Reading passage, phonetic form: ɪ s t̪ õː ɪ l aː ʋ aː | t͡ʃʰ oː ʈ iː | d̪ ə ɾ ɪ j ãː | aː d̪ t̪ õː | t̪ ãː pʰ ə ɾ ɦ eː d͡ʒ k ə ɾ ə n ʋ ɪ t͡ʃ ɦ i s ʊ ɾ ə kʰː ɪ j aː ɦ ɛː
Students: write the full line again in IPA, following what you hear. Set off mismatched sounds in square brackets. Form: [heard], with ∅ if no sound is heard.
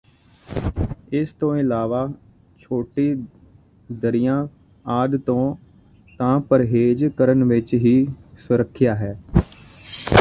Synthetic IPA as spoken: ɪ s t̪ õː ɪ l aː ʋ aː | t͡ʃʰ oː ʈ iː | d̪ ə ɾ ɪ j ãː | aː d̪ t̪ õː | t̪ ãː [p] ə ɾ ɦ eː d͡ʒ k ə ɾ ə n ʋ ɪ t͡ʃ ɦ [iː] s ʊ ɾ ə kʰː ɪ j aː ɦ ɛː